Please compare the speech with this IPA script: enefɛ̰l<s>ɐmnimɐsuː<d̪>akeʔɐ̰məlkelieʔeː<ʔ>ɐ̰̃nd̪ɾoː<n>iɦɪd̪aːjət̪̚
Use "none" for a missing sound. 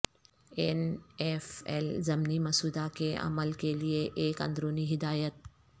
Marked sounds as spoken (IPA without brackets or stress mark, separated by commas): z, d̪, k, n